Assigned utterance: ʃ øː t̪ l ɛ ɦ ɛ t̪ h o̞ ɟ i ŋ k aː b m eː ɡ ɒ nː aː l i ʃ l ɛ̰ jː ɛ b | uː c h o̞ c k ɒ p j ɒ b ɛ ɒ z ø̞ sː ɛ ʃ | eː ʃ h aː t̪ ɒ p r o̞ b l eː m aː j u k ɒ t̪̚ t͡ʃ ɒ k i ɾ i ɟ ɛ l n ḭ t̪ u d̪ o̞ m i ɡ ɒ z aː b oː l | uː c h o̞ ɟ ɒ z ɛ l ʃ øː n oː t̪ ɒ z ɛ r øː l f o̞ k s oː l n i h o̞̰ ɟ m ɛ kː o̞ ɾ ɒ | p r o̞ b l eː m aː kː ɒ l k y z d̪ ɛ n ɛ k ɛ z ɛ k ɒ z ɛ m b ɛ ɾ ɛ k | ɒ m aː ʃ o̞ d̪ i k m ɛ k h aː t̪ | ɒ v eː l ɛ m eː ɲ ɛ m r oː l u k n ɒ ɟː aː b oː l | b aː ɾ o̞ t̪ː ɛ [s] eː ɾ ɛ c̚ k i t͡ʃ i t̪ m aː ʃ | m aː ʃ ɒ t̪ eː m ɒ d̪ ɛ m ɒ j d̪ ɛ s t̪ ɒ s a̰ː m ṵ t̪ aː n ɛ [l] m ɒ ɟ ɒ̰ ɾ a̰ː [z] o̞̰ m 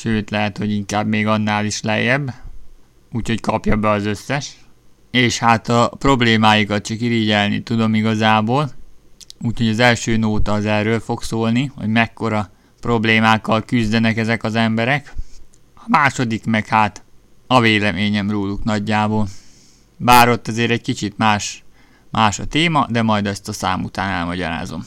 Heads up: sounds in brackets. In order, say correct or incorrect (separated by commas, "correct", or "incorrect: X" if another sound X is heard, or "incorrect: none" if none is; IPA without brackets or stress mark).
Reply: incorrect: z, correct, correct